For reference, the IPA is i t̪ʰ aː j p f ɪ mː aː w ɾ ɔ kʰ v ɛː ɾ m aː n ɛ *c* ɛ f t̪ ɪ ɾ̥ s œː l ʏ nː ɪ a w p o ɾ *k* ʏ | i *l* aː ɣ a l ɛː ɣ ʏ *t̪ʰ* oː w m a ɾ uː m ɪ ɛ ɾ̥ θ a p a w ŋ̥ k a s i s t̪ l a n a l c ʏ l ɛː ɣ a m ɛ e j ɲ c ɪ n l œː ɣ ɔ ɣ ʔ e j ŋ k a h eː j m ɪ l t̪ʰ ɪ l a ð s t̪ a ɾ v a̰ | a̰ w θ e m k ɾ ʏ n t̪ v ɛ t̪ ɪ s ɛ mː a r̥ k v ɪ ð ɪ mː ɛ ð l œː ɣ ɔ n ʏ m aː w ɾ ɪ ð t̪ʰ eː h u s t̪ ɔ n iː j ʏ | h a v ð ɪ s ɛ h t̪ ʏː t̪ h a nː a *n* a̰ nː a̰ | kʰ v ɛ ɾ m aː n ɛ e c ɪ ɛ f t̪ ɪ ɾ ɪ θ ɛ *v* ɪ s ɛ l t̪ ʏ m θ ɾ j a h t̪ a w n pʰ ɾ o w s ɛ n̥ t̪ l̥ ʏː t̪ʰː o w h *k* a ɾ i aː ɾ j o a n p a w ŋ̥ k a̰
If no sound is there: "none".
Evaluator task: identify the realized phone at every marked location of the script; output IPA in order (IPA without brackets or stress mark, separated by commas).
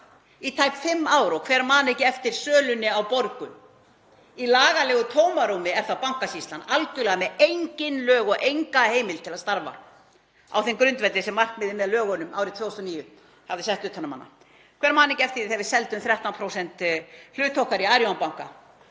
c, k, l, t̪ʰ, m, v, k